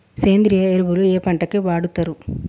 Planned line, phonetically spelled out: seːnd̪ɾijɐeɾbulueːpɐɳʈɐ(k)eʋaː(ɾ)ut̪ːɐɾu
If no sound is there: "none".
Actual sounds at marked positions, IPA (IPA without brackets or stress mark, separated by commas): k, ɽ